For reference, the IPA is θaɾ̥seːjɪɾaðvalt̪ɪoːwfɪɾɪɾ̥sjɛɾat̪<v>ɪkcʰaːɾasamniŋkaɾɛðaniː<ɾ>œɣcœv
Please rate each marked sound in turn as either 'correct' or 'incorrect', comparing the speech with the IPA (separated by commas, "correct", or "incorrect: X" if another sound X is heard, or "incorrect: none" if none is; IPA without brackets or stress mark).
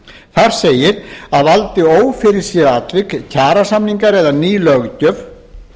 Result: correct, incorrect: l